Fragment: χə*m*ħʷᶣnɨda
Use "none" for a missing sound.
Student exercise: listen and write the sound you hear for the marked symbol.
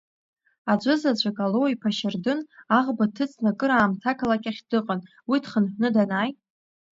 n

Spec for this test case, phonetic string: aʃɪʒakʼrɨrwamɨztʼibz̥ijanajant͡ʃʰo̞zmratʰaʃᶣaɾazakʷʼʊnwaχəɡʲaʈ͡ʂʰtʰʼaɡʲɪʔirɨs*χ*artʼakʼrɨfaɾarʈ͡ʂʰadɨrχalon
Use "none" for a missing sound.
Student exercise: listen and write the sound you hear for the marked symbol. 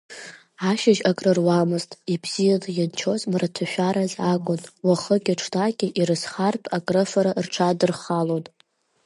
χ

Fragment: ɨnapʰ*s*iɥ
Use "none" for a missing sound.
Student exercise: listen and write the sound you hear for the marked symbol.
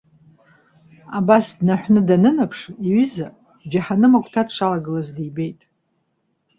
ʂ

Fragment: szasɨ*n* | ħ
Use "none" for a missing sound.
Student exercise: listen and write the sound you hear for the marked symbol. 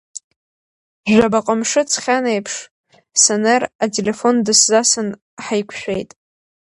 n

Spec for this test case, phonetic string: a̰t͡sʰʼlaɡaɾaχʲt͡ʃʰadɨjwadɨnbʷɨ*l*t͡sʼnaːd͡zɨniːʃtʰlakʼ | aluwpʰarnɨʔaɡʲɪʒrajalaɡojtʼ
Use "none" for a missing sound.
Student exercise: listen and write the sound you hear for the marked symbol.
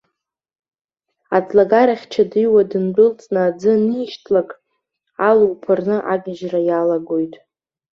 l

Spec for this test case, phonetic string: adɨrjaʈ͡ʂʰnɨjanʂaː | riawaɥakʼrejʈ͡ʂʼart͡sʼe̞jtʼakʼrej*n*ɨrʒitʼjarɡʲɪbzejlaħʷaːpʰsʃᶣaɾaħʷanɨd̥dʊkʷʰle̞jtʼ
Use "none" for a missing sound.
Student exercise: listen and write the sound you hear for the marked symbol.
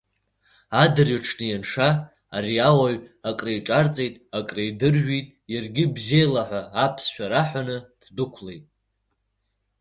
d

